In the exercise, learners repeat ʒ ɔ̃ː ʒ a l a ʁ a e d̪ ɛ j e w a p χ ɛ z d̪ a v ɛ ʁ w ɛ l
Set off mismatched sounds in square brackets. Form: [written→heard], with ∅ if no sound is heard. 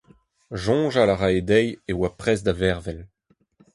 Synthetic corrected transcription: ʒ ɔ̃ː ʒ a l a ʁ a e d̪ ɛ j e w a p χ ɛ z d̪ a v ɛ ʁ [w→v] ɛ l